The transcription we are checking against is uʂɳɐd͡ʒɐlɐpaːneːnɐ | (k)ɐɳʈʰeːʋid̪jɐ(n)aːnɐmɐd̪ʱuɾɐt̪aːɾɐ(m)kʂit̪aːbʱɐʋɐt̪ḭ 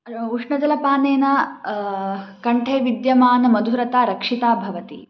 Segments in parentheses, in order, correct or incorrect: correct, incorrect: m, incorrect: none

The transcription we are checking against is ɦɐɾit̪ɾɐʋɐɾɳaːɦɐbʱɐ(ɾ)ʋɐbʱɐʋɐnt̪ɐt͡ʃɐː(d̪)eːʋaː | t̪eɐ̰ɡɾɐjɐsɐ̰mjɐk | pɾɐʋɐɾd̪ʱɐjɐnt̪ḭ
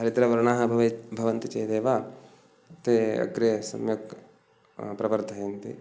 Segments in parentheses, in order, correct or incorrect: incorrect: none, correct

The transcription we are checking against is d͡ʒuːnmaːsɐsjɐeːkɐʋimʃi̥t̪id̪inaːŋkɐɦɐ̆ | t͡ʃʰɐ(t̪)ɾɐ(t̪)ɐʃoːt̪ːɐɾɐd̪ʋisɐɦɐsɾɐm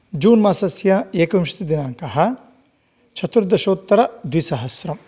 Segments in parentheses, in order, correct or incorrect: correct, incorrect: d̪

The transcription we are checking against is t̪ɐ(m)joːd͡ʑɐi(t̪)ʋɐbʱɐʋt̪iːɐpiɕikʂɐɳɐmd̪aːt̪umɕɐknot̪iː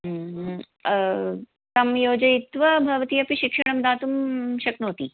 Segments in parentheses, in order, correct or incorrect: correct, correct

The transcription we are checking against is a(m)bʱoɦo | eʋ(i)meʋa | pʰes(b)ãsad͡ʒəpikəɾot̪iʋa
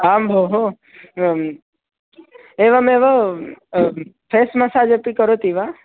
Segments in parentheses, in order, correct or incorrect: correct, incorrect: a, incorrect: m

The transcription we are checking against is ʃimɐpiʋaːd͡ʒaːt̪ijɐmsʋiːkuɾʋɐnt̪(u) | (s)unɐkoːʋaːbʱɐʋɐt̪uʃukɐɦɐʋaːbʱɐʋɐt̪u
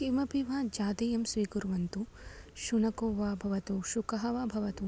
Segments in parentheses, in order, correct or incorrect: correct, incorrect: ʃ

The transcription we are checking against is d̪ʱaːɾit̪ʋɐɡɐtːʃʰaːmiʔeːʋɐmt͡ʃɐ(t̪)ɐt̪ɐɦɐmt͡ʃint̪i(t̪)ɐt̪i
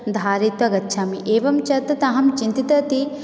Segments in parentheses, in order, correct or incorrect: correct, correct

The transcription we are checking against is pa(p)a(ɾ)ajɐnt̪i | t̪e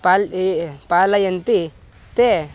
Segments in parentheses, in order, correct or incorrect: correct, incorrect: l

